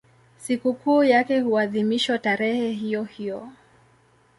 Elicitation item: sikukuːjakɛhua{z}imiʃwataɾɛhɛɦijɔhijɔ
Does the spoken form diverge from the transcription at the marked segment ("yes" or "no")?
yes